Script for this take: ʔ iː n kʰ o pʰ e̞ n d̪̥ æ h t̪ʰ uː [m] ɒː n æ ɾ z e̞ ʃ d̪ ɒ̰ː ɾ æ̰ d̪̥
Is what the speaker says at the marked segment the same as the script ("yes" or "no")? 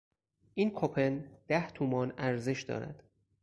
yes